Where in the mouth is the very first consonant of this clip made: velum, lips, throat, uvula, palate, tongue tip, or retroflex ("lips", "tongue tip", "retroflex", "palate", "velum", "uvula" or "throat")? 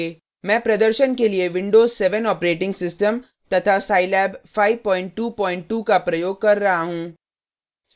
lips